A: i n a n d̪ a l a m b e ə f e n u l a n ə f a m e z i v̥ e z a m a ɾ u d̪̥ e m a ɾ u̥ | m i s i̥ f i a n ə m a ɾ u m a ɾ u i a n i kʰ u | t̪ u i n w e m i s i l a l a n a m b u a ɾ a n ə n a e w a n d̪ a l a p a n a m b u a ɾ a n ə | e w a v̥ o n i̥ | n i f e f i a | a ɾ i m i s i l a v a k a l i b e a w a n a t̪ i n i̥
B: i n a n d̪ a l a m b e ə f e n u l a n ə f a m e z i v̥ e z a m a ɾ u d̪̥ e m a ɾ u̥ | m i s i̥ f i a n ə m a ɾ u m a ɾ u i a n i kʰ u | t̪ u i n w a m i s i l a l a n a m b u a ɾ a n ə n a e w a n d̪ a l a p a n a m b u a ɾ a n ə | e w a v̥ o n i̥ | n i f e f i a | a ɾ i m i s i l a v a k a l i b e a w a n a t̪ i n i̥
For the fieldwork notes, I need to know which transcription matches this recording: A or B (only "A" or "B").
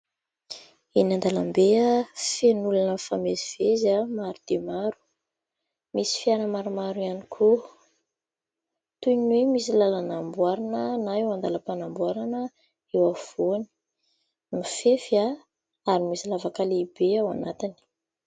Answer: A